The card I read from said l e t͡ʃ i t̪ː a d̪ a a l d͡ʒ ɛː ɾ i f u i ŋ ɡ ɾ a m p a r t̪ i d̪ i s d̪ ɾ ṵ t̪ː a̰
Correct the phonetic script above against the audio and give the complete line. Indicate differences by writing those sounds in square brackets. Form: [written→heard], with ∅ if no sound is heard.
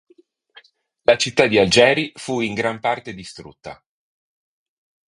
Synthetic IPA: l [e→a] t͡ʃ i t̪ː a d̪ [a→i] a l d͡ʒ ɛː ɾ i f u i ŋ ɡ ɾ a m p a r t̪ [i→e] d̪ i s [d̪→t̪] ɾ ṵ t̪ː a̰